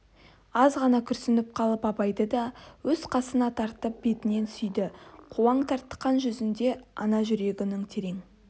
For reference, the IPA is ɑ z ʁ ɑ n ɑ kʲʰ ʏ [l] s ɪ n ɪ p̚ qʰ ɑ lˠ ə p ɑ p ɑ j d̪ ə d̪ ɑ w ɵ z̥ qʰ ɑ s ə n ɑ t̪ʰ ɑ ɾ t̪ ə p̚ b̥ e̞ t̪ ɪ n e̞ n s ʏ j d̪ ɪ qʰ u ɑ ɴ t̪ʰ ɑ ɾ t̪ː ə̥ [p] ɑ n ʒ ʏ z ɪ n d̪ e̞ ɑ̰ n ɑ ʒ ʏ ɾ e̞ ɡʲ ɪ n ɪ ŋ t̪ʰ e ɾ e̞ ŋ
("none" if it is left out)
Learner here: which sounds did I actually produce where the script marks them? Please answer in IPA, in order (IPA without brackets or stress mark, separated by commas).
ɾ, q